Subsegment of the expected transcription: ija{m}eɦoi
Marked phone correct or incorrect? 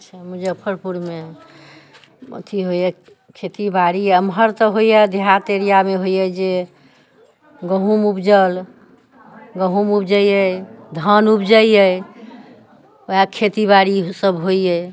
correct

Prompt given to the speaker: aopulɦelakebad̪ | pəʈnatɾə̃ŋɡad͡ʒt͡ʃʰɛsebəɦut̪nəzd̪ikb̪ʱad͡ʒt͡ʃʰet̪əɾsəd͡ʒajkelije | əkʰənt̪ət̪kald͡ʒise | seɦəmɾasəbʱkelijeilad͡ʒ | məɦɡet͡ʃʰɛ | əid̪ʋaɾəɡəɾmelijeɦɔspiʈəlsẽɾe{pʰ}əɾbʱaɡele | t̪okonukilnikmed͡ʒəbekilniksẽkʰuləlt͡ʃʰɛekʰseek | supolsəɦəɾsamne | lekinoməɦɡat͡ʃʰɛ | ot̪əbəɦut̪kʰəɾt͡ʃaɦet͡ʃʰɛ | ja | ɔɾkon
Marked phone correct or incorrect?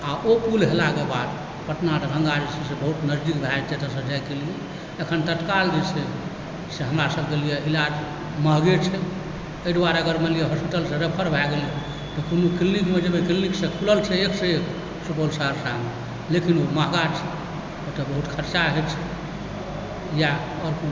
correct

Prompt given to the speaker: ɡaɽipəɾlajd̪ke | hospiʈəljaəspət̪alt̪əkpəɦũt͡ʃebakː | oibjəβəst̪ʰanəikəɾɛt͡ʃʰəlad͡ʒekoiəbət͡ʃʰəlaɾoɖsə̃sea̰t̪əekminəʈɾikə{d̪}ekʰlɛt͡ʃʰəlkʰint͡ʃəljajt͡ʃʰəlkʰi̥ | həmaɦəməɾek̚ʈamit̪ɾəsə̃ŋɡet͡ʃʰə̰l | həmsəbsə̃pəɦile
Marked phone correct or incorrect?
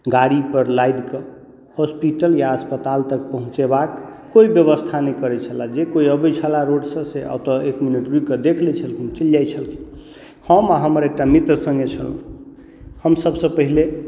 correct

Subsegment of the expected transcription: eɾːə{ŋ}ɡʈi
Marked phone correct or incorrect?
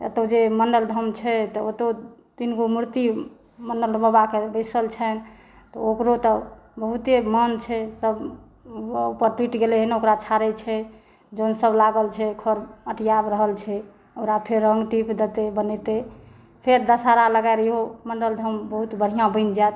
correct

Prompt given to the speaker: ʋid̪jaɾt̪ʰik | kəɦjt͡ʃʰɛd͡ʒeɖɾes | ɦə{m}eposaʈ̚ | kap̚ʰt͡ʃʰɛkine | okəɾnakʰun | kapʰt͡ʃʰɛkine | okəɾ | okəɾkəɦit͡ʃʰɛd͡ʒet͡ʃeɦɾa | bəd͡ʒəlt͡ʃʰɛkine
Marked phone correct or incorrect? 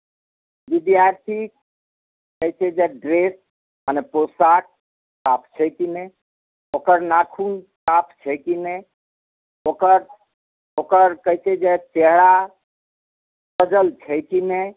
incorrect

